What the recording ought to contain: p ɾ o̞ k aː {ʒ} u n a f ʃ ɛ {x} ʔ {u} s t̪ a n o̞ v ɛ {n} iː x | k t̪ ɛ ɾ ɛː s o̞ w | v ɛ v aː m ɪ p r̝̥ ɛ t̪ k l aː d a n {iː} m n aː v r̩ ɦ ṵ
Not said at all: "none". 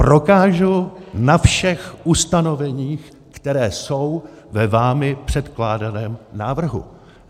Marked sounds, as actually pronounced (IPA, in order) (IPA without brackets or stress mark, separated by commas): ʒ, x, u, ɲ, ɛː